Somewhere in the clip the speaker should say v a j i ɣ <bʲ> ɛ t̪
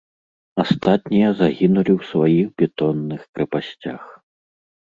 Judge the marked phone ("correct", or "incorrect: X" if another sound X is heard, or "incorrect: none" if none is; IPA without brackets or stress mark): correct